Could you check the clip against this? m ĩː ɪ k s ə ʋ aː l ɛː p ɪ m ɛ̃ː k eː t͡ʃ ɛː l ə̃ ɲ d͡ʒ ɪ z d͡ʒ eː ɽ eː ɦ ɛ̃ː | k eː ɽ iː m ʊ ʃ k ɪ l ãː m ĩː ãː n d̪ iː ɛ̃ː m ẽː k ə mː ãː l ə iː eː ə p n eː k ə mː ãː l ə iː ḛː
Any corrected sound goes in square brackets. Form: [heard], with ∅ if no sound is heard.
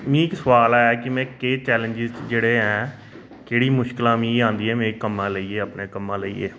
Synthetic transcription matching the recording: m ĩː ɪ k s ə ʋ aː l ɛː [k] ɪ m ɛ̃ː k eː t͡ʃ ɛː l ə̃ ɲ d͡ʒ ɪ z d͡ʒ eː ɽ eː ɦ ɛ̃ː | k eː ɽ iː m ʊ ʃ k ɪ l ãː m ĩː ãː n d̪ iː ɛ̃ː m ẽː k ə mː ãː l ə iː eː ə p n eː k ə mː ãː l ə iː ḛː